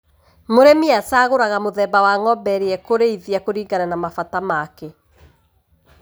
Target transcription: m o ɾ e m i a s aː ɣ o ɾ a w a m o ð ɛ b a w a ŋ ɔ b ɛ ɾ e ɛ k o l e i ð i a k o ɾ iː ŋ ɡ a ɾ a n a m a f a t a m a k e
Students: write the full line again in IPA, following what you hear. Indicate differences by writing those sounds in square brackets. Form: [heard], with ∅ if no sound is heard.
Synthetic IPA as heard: m o ɾ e m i a s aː ɣ o ɾ a [ɣ] a m o ð ɛ b a w a ŋ ɔ b ɛ ɾ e ɛ k o [ɾ] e i ð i a k o ɾ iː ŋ ɡ a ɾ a n a m a f a t a m a k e